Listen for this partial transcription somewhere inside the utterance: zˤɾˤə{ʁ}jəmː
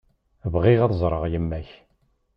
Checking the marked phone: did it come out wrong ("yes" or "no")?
no